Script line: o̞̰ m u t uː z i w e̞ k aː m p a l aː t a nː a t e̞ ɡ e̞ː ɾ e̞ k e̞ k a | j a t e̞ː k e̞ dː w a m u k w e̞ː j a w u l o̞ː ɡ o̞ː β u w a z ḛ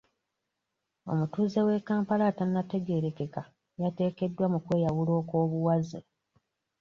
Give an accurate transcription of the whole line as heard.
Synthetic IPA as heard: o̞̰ m u t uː z e w e̞ k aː m p a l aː t a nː a t e̞ ɡ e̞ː ɾ e̞ k e̞ k a | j a t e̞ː k e̞ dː w a m u k w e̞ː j a w u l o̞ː k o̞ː β u w a z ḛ